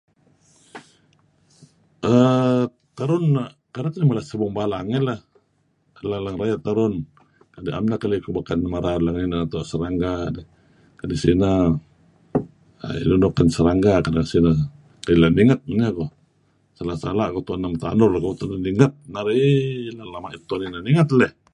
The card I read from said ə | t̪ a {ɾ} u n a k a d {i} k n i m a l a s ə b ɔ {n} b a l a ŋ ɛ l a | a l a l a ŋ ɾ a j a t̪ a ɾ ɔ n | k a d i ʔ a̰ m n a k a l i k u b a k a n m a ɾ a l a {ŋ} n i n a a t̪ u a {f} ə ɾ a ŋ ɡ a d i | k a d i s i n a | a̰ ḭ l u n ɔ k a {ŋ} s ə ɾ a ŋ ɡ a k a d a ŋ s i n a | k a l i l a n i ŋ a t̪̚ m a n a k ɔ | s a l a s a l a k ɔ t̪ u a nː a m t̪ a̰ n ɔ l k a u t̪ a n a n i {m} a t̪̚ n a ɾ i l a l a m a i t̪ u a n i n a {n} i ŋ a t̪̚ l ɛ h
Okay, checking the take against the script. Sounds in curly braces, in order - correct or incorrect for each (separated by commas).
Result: correct, incorrect, incorrect, correct, incorrect, incorrect, incorrect, correct